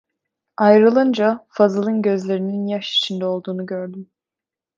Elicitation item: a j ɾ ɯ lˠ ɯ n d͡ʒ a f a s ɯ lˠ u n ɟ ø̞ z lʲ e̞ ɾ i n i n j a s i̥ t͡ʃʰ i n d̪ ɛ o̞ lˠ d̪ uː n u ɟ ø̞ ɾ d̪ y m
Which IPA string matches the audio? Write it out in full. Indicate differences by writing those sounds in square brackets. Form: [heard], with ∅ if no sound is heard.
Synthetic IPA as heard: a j ɾ ɯ lˠ ɯ n d͡ʒ a f a [z] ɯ lˠ [ɯ] n ɟ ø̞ z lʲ e̞ ɾ i n i n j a [ʃ] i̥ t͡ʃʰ i n d̪ ɛ o̞ lˠ d̪ uː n u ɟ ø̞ ɾ d̪ y m